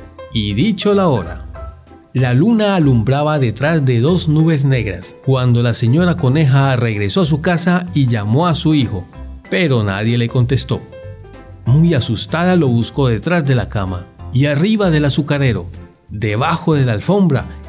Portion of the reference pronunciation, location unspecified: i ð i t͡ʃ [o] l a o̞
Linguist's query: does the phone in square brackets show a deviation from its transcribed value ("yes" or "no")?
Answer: no